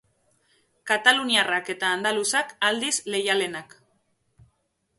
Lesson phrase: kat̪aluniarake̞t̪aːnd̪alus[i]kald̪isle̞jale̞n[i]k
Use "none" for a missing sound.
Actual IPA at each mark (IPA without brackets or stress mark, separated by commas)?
a, a